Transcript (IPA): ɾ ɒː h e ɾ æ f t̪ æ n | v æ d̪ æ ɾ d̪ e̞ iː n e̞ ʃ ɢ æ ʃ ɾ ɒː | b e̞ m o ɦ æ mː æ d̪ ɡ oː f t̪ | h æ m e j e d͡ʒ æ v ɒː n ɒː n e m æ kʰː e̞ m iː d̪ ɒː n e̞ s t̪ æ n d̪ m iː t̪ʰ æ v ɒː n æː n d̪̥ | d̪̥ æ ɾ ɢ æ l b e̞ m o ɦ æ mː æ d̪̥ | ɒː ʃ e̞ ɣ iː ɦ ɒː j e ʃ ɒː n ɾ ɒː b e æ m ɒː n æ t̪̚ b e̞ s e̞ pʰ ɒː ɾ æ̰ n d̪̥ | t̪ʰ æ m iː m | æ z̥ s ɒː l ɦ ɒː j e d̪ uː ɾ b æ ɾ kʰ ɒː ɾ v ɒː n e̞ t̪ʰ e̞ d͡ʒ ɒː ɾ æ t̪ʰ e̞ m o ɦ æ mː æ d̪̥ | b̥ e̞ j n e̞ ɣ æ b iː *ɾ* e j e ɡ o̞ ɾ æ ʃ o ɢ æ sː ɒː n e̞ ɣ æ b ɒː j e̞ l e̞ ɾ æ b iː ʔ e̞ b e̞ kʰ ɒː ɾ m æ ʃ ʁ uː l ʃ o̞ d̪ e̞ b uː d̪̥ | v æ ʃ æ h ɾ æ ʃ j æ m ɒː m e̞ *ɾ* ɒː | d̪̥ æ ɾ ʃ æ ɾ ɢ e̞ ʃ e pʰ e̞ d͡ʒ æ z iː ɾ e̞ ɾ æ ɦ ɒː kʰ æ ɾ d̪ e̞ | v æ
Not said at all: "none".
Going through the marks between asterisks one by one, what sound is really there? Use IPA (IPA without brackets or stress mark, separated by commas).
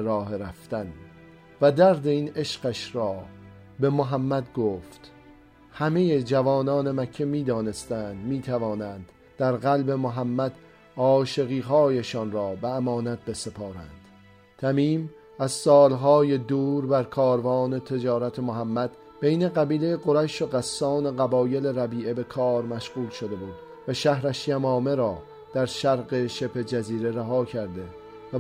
l, ɾ